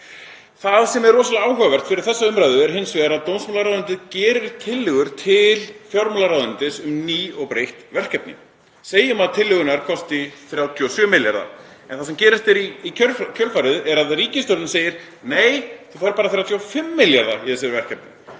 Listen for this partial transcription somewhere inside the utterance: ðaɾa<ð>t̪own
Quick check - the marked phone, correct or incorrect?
correct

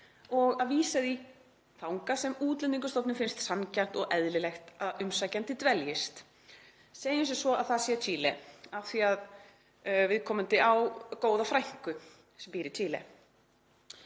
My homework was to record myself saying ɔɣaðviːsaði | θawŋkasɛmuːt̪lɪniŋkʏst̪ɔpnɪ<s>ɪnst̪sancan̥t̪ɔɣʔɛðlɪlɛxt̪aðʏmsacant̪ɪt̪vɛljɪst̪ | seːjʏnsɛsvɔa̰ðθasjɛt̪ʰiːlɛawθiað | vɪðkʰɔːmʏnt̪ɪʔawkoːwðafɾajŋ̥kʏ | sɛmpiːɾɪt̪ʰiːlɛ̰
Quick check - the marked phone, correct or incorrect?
incorrect: f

